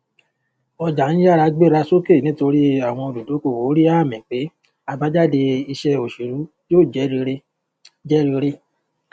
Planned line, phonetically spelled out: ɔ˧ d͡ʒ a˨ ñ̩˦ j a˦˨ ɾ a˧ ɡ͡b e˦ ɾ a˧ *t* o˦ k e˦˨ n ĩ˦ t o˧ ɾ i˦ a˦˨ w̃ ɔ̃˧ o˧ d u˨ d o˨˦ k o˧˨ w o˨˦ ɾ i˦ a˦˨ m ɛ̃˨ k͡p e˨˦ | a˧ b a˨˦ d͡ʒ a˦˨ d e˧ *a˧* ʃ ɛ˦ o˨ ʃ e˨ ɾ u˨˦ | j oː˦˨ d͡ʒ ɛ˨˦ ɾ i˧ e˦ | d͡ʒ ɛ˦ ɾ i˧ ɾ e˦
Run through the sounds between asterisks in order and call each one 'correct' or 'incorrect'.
incorrect: s, incorrect: i˧

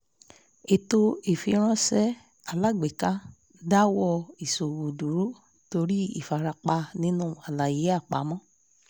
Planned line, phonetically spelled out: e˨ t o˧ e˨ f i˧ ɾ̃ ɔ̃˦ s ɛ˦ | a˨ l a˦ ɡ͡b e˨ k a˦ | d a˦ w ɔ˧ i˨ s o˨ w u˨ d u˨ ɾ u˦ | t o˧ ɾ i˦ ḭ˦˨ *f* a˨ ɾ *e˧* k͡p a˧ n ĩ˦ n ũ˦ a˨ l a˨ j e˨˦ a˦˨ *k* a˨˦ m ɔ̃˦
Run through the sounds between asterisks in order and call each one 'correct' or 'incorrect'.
correct, incorrect: a˧, incorrect: k͡p

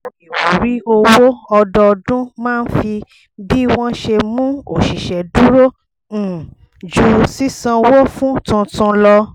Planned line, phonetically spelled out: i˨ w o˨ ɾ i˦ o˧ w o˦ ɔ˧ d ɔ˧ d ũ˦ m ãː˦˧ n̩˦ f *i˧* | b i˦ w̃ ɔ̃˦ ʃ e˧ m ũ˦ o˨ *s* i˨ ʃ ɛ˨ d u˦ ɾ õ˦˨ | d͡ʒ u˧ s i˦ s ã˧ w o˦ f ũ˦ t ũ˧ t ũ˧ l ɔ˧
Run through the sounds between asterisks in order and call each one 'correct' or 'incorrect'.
correct, incorrect: ʃ

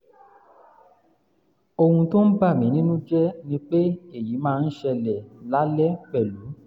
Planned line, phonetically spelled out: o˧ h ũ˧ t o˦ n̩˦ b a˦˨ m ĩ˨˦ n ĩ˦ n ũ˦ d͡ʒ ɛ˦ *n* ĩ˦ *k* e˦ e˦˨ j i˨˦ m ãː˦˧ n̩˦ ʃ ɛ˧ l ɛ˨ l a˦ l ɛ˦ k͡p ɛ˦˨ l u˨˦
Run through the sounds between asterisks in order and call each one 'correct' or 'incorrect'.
correct, incorrect: k͡p

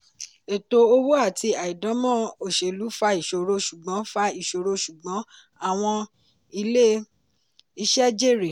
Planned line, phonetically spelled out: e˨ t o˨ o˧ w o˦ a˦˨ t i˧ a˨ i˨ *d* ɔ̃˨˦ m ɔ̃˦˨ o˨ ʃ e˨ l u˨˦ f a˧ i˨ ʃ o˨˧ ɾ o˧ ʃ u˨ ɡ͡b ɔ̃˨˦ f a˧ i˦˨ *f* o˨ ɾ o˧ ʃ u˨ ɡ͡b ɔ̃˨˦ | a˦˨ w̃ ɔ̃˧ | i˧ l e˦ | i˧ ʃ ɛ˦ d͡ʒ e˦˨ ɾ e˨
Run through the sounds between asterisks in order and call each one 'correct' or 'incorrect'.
correct, incorrect: ʃ

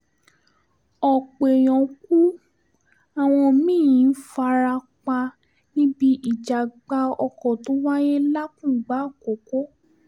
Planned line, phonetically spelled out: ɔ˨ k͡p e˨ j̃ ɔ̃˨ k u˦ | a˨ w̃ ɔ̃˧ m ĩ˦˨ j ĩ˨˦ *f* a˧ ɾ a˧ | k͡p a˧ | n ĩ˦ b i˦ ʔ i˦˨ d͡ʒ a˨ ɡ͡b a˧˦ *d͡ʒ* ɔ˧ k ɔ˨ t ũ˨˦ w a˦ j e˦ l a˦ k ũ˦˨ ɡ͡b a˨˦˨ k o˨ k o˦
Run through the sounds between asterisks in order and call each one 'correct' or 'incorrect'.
correct, incorrect: none

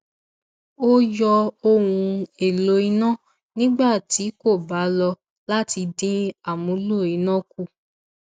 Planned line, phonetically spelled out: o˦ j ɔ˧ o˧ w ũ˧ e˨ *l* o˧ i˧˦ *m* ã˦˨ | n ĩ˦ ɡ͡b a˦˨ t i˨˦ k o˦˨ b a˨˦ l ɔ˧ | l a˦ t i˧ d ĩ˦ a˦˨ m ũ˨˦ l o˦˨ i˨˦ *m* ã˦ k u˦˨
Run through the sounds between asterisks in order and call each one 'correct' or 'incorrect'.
correct, incorrect: n, incorrect: n

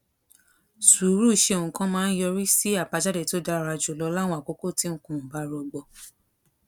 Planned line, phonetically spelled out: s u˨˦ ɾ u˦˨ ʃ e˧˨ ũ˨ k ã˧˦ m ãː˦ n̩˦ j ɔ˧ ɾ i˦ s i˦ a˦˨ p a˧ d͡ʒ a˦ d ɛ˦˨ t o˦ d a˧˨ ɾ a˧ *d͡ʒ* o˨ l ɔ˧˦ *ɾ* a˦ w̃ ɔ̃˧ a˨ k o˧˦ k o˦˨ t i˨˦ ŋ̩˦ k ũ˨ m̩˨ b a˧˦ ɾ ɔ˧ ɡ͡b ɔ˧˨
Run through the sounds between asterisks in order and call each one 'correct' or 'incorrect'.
correct, incorrect: l

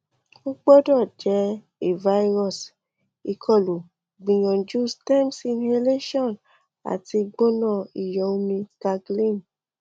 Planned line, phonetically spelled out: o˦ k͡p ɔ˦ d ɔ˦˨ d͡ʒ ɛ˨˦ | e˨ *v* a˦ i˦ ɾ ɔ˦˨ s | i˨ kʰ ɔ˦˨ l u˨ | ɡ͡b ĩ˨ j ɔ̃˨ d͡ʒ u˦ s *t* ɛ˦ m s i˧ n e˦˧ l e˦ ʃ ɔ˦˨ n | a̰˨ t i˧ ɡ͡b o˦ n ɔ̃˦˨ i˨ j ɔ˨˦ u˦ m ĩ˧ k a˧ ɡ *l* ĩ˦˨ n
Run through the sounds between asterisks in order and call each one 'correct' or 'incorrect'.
correct, correct, correct

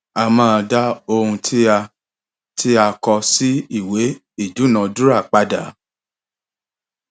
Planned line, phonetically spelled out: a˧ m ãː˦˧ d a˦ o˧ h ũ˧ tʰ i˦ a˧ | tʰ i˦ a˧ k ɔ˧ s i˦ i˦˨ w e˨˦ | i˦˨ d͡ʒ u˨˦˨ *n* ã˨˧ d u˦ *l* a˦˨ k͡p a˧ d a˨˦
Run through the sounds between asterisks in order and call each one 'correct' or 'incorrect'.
correct, incorrect: ɾ

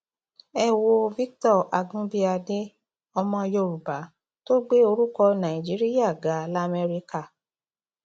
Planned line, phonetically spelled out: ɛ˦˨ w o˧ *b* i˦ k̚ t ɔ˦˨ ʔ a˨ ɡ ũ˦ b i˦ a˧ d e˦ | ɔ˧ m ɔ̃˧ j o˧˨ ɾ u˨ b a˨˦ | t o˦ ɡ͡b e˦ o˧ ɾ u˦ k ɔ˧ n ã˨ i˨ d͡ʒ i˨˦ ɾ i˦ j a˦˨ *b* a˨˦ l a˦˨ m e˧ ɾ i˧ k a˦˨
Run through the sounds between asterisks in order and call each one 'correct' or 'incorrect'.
incorrect: v, incorrect: ɡ

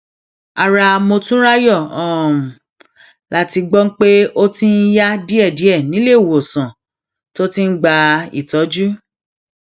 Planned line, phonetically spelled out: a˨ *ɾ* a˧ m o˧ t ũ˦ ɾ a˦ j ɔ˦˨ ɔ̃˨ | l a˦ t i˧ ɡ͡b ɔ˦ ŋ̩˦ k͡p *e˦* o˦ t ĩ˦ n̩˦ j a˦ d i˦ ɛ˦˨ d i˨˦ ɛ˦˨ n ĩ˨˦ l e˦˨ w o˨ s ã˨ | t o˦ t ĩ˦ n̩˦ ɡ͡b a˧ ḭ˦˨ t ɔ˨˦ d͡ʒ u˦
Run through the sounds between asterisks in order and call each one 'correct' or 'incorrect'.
correct, correct

